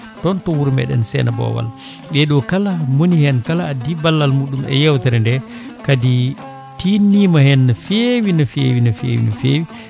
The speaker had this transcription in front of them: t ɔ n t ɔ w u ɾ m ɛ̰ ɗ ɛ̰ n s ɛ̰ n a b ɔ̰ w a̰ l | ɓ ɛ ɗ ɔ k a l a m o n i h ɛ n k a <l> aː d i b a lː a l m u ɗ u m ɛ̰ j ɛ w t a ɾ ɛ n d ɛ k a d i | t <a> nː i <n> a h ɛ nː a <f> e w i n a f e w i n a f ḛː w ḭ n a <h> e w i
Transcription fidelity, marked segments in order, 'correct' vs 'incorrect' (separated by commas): correct, incorrect, incorrect, correct, incorrect